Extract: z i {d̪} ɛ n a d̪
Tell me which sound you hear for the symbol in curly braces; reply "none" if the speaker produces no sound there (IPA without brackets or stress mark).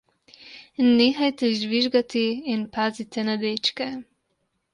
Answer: t̪